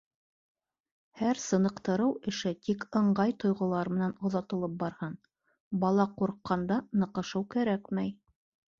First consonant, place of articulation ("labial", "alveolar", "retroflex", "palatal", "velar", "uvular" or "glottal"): glottal